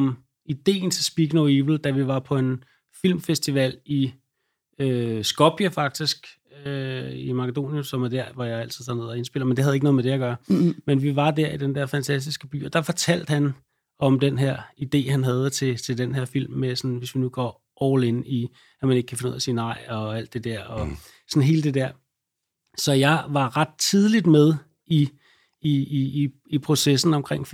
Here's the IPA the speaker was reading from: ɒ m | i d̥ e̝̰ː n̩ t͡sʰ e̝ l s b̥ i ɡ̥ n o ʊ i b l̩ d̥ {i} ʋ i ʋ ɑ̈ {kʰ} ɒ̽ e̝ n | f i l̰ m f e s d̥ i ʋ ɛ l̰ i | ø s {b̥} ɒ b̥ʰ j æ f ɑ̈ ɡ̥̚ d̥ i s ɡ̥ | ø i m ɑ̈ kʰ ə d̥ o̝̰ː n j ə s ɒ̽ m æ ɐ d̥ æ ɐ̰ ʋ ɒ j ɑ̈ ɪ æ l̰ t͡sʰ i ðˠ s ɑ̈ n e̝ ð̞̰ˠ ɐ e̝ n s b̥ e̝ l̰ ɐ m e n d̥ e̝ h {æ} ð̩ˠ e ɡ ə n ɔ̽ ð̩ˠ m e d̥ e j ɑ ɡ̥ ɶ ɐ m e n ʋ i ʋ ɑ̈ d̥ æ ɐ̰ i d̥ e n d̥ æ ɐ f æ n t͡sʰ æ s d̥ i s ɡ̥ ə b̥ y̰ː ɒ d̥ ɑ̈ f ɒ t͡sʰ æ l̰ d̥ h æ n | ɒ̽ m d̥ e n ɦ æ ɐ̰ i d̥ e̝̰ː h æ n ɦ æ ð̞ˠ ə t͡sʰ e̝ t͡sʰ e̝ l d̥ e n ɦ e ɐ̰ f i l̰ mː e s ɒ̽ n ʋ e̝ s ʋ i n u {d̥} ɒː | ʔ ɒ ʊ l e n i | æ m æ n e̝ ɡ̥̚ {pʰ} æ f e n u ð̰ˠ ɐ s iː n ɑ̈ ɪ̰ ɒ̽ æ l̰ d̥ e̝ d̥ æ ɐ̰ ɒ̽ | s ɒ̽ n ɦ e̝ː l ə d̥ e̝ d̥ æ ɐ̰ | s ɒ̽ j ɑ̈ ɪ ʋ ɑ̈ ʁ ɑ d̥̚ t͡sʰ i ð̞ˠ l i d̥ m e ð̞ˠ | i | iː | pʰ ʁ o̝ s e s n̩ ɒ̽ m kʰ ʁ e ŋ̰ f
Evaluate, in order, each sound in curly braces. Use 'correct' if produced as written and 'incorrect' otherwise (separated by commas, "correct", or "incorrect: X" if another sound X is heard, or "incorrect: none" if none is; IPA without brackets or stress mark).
incorrect: æ, incorrect: pʰ, incorrect: ɡ̥, correct, incorrect: ɡ̥, incorrect: kʰ